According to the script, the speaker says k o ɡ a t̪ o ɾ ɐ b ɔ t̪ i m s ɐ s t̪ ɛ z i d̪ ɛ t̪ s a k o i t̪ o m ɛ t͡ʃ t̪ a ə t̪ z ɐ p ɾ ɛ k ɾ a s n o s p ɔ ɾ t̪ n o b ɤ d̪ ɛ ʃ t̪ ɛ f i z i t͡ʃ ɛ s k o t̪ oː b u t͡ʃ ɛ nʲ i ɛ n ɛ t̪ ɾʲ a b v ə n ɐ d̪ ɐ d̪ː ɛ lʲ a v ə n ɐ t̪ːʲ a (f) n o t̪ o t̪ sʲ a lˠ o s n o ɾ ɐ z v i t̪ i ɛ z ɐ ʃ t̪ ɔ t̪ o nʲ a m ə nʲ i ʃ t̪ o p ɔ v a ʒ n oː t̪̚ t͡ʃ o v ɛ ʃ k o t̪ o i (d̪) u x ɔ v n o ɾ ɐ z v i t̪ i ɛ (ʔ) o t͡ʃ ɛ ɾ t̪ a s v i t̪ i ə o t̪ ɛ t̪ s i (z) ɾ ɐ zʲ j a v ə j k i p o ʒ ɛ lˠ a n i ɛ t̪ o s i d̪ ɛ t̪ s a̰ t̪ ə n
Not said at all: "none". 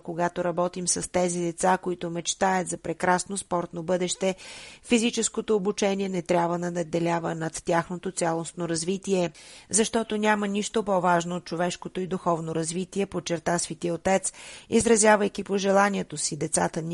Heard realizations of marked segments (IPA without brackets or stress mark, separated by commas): x, d̪, p, z